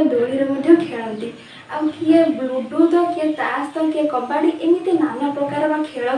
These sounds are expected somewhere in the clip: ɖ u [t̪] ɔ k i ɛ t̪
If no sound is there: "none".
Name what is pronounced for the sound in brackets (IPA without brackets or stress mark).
d̪